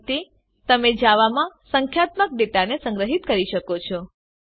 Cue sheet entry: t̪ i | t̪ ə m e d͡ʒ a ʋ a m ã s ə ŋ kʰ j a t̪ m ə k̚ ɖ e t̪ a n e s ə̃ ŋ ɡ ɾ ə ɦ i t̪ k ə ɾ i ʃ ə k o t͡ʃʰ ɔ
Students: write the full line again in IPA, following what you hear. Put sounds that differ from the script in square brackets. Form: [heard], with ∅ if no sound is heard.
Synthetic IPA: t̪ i | t̪ ə m e d͡ʒ a ʋ a m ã s ə ŋ kʰ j a t̪ m ə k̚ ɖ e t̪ a n e s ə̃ ŋ ɡ ɾ ə ɦ i t̪ k ə ɾ i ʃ ə k o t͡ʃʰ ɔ